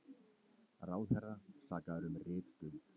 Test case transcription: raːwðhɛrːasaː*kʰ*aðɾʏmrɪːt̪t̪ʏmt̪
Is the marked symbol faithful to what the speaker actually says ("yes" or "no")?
no